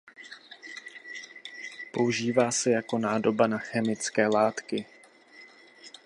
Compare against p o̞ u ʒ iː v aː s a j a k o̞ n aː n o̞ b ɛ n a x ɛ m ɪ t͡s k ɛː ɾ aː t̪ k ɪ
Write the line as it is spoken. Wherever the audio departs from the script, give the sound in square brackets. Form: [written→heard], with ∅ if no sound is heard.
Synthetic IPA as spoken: p o̞ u ʒ iː v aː s [a→ɛ] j a k o̞ n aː [n→d] o̞ b [ɛ→a] n a x ɛ m ɪ t͡s k ɛː [ɾ→l] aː t̪ k ɪ

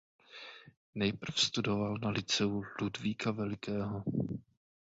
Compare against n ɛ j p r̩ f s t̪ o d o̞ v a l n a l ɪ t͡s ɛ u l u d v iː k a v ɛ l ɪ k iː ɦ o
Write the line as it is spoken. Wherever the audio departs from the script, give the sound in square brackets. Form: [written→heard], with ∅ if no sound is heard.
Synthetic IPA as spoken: n ɛ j p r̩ f s t̪ [o→u] d o̞ v a l n a l ɪ t͡s ɛ u l u d v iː k a v ɛ l ɪ k [iː→ɛː] ɦ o

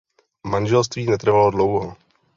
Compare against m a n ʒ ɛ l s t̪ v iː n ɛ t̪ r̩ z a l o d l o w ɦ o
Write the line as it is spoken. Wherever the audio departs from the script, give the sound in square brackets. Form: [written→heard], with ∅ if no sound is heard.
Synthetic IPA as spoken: m a n ʒ ɛ l s t̪ v iː n ɛ t̪ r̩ [z→v] a l o d l o w ɦ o

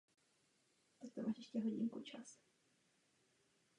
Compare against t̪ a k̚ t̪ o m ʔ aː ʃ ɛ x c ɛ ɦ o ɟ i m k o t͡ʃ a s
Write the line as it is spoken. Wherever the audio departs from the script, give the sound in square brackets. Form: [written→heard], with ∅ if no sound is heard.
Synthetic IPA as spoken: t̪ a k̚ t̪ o m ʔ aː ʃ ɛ [x→ʃ] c ɛ ɦ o ɟ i [m→ŋ] k [o→u] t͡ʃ a s

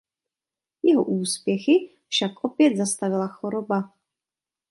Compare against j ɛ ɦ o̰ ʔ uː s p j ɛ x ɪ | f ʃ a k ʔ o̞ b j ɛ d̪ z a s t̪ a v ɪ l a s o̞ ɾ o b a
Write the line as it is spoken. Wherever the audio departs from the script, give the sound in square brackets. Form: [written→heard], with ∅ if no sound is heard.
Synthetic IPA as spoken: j ɛ ɦ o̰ ʔ uː s p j ɛ x ɪ | f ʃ a k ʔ o̞ [b→p] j ɛ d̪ z a s t̪ a v ɪ l a [s→x] o̞ ɾ o b a

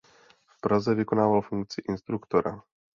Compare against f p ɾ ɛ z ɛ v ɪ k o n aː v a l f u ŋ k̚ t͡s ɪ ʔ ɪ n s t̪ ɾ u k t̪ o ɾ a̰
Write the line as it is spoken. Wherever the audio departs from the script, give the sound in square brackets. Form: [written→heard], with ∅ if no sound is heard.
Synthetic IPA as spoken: f p ɾ [ɛ→a] z ɛ v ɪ k o n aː v a l f u ŋ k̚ t͡s ɪ ʔ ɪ n s t̪ ɾ u k t̪ o ɾ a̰

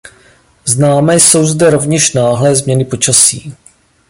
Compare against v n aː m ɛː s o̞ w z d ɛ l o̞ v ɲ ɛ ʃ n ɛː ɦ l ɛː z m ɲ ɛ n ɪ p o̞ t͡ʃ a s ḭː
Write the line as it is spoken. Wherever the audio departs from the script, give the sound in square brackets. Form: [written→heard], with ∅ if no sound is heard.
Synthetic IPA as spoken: [v→z] n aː m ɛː s o̞ w z d ɛ [l→ɾ] o̞ v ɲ ɛ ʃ n [ɛː→aː] ɦ l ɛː z m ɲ ɛ n ɪ p o̞ t͡ʃ a s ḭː

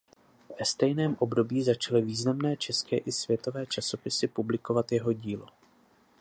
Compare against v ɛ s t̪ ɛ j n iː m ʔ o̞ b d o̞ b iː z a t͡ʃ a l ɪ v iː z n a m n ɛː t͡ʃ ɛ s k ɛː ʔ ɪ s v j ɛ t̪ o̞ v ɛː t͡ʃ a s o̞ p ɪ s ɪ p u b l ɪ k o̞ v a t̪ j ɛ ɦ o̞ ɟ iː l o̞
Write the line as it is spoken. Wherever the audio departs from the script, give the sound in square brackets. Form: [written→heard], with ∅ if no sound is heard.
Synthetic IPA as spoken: v ɛ s t̪ ɛ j n [iː→ɛː] m ʔ o̞ b d o̞ b iː z a t͡ʃ a l ɪ v iː z n a m n ɛː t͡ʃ ɛ s k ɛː ʔ ɪ s v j ɛ t̪ o̞ v ɛː t͡ʃ a s o̞ p ɪ s ɪ p u b l ɪ k o̞ v a t̪ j ɛ ɦ o̞ ɟ iː l o̞

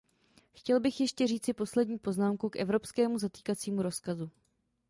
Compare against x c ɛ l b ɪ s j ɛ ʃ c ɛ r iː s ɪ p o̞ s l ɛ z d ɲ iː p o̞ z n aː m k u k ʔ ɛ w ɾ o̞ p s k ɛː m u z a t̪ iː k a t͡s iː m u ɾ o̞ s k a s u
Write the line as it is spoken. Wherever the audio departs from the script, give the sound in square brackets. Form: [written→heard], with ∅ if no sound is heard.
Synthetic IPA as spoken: x c ɛ l b ɪ [s→x] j ɛ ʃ c ɛ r iː [s→t͡s] ɪ p o̞ s l ɛ [z→∅] d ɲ iː p o̞ z n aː m k u k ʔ ɛ [w→v] ɾ o̞ p s k ɛː m u z a t̪ iː k a t͡s iː m u ɾ o̞ s k a [s→z] u

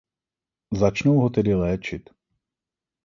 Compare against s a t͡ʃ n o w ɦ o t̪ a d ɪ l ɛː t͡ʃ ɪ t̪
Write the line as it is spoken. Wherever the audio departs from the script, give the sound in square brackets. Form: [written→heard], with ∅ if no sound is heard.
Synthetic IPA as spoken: [s→z] a t͡ʃ n o w ɦ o t̪ [a→ɛ] d ɪ l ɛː t͡ʃ ɪ t̪

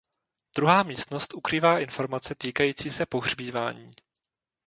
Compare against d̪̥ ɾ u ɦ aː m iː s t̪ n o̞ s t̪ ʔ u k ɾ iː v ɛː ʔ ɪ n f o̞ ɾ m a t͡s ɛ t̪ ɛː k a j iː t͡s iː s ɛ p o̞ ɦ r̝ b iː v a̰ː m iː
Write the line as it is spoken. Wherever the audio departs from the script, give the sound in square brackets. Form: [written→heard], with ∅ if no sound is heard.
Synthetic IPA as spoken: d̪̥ ɾ u ɦ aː m iː s t̪ n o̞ s t̪ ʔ u k ɾ iː v [ɛː→aː] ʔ ɪ n f o̞ ɾ m a t͡s ɛ t̪ [ɛː→iː] k a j iː t͡s iː s ɛ p o̞ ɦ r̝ b iː v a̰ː [m→ɲ] iː

